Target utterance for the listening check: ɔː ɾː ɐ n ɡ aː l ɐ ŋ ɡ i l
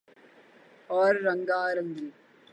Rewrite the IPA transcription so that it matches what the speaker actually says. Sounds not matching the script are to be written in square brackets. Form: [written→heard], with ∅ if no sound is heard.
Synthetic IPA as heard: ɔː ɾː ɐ [n→ŋ] ɡ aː [l→ɾ] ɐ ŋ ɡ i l